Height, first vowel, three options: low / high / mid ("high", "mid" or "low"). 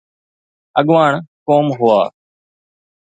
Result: mid